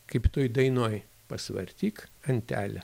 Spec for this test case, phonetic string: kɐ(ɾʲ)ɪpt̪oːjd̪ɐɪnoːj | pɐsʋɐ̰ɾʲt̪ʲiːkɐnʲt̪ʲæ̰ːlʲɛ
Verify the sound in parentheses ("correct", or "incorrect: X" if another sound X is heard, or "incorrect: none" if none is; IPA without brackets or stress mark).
incorrect: none